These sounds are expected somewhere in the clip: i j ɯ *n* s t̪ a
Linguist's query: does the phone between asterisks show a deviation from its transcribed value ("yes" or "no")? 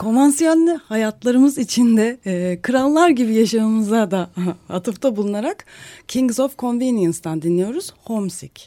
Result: no